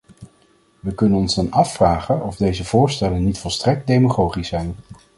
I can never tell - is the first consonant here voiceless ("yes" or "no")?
no